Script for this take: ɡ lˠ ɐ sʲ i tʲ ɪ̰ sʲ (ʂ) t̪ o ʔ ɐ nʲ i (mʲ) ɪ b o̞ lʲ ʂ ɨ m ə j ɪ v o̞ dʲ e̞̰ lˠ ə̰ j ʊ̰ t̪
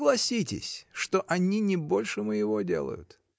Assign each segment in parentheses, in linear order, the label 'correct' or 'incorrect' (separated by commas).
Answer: correct, incorrect